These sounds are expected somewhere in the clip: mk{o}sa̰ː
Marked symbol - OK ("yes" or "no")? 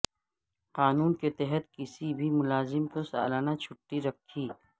yes